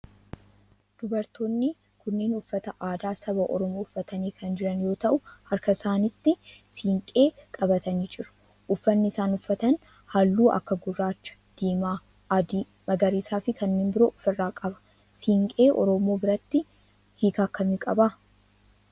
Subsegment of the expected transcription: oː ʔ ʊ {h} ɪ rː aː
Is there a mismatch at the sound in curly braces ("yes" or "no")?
yes